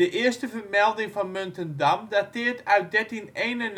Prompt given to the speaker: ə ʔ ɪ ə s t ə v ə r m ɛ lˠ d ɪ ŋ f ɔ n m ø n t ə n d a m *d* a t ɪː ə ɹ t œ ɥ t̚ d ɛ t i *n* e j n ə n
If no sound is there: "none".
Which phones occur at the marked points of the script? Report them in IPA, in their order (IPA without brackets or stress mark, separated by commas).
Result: d, n